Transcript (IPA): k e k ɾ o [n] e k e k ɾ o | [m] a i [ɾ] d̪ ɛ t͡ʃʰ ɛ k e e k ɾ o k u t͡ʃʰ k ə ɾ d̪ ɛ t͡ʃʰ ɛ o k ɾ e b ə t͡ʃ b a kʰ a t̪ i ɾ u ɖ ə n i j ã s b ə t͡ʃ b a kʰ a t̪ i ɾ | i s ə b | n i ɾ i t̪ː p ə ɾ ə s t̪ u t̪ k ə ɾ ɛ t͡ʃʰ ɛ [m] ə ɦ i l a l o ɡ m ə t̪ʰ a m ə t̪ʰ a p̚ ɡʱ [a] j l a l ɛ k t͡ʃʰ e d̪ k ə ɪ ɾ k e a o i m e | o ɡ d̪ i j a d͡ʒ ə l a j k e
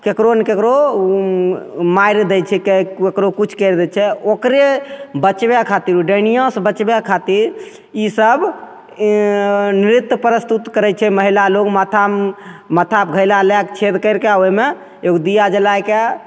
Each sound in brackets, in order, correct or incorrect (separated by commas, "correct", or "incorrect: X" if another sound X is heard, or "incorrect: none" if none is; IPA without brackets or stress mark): correct, correct, correct, correct, incorrect: ə